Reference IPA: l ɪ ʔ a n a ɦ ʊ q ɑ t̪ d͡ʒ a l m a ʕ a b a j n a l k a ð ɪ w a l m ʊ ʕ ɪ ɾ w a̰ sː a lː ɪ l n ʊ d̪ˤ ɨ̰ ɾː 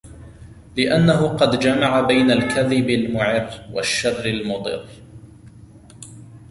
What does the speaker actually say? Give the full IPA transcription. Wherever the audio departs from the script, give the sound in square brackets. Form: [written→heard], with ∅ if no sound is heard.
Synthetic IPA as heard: l ɪ ʔ a [n→nː] a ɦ ʊ q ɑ [t̪→d̪] d͡ʒ a [l→∅] m a ʕ a b a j n a l k a ð ɪ [w→b] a l m ʊ ʕ ɪ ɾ w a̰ [sː→ʃː] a [lː→rː] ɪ l [n→m] ʊ d̪ˤ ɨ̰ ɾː